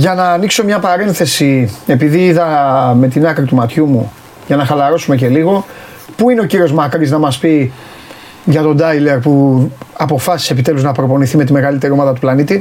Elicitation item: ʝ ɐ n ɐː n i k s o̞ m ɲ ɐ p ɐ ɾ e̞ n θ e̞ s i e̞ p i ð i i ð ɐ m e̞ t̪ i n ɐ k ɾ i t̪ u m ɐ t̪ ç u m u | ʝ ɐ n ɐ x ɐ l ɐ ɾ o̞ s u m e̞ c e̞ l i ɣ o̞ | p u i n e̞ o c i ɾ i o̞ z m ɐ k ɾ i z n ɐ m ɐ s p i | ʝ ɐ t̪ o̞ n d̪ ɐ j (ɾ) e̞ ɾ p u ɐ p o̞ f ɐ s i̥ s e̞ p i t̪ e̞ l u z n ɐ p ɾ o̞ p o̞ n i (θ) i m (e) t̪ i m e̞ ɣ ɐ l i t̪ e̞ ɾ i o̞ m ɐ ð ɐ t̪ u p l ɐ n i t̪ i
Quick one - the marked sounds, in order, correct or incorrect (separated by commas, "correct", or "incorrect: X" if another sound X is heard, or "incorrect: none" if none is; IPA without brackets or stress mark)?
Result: incorrect: l, correct, correct